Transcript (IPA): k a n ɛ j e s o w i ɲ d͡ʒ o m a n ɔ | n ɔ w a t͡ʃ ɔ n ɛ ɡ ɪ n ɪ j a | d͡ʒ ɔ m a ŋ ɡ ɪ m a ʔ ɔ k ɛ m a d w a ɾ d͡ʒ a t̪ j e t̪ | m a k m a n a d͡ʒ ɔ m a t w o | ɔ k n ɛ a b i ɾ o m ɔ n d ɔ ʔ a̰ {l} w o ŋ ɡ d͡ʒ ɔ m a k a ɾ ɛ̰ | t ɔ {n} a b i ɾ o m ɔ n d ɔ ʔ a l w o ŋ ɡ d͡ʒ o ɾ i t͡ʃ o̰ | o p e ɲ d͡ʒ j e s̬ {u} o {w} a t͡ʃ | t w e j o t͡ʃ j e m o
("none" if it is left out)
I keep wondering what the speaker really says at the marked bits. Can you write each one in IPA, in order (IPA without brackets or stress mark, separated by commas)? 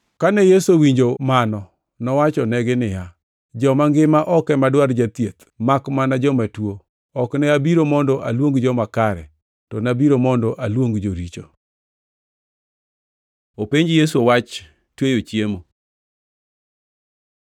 l, n, u, w